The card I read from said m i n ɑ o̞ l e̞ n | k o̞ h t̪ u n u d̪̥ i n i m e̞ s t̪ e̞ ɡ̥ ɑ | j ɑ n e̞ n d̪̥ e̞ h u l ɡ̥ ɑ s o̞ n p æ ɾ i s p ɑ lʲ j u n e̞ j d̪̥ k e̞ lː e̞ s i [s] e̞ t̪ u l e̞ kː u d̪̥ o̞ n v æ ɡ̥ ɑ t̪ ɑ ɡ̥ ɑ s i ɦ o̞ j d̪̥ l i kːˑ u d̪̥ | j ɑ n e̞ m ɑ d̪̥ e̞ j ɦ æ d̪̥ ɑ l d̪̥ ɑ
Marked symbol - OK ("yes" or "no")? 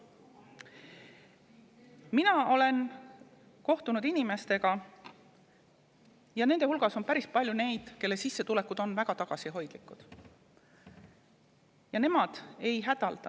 no